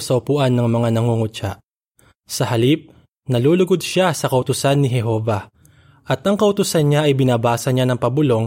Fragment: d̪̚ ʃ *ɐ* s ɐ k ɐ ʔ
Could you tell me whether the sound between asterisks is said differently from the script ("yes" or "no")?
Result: yes